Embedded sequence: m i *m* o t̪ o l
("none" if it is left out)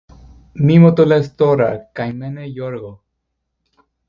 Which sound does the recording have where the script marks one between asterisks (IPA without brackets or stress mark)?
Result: m